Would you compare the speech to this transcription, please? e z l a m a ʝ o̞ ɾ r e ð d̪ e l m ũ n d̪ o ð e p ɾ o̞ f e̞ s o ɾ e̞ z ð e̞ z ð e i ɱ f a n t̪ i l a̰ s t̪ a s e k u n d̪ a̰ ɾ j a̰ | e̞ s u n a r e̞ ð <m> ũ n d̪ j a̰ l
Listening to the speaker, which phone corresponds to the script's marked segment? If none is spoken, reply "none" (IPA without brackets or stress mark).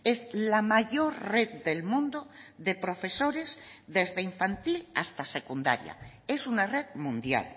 m